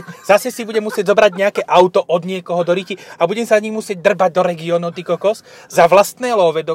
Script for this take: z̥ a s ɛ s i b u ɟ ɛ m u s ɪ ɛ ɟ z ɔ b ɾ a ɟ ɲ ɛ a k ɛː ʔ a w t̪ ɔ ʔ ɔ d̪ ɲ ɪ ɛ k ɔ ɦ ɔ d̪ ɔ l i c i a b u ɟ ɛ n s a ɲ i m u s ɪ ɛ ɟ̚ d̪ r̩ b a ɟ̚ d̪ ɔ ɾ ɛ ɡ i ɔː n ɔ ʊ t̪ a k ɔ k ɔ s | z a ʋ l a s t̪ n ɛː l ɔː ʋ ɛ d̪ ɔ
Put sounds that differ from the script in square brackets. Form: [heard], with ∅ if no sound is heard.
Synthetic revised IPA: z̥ a s ɛ s i b u ɟ ɛ m u s ɪ ɛ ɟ z ɔ b ɾ a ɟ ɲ ɛ a k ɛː ʔ a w t̪ ɔ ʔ ɔ d̪ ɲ ɪ ɛ k ɔ ɦ ɔ d̪ ɔ [ɾ] i c i a b u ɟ ɛ [m] s a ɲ i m u s ɪ ɛ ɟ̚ d̪ r̩ b a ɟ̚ d̪ ɔ ɾ ɛ ɡ i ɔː n ɔ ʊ t̪ [i] k ɔ k ɔ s | z a ʋ l a s t̪ n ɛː l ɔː ʋ ɛ d̪ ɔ